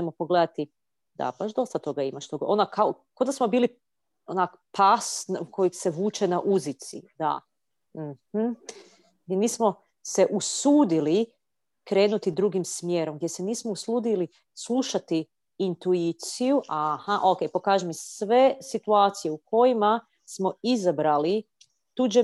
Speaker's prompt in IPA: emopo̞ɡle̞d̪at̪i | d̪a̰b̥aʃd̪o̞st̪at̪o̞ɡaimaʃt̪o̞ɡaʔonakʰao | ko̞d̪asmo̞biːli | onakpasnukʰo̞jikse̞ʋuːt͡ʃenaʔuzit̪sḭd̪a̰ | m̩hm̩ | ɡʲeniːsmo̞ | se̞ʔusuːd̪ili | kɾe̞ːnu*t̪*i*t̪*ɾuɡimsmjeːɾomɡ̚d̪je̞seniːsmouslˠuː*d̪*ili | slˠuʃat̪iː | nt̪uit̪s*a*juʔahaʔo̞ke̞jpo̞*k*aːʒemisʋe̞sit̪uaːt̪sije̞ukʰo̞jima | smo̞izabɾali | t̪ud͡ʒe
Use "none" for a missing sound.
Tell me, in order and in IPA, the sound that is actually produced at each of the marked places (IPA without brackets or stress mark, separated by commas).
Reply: t̪, d̪, d̪, i, k